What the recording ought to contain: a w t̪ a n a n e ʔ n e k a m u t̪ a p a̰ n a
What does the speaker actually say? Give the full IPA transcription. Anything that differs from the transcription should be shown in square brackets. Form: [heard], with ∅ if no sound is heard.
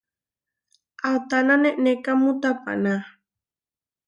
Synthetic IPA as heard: a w t̪ a n a n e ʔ n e k a m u t̪ a p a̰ n a